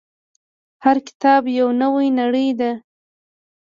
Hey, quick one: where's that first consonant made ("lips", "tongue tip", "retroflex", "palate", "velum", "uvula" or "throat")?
throat